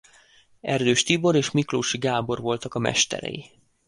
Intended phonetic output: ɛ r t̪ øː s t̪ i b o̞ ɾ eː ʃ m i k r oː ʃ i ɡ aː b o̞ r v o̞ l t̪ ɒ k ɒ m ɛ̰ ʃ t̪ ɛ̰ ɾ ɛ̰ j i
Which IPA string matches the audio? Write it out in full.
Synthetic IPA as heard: ɛ r d̪ øː ʃ t̪ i b o̞ ɾ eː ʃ m i k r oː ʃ i ɡ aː b o̞ r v o̞ l t̪ ɒ k ɒ m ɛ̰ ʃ t̪ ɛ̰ ɾ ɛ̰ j i

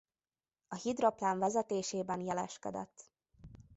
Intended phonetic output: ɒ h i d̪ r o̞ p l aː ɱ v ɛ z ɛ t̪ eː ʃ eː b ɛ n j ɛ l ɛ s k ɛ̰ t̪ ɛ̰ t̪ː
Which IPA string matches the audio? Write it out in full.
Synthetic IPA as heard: ɒ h i d̪ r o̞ p l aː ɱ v ɛ z ɛ t̪ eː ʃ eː b ɛ n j ɛ l ɛ ʃ k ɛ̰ d̪ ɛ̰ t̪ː

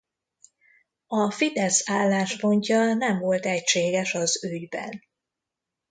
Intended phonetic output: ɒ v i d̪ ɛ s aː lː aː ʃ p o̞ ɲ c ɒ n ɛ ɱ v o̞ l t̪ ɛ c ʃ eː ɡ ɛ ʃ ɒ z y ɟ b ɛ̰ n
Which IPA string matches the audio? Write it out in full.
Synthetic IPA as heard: ɒ f i d̪ ɛ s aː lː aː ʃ p o̞ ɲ c ɒ n ɛ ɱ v o̞ l t̪ ɛ c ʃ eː ɡ ɛ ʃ ɒ z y ɟ b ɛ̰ n

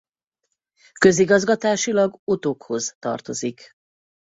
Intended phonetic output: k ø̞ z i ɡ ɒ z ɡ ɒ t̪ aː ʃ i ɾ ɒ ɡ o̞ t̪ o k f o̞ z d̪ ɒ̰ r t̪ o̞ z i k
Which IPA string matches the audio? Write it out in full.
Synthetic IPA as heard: k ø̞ z i ɡ ɒ z ɡ ɒ t̪ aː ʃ i l ɒ ɡ o̞ t̪ o k h o̞ z t̪ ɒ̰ r t̪ o̞ z i k

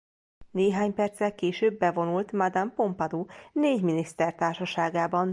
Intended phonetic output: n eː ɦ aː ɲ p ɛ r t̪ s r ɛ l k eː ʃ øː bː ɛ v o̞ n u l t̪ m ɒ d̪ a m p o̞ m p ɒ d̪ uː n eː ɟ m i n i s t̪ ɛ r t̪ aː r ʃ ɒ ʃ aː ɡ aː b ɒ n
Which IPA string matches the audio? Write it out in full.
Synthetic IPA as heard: n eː ɦ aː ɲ p ɛ r t̪ s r ɛ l k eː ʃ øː bː ɛ v o̞ n u l t̪ m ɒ d̪ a m p o̞ m p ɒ d̪ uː n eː ɟ m i n i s t̪ ɛ r t̪ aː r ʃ ɒ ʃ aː ɡ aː b ɒ n

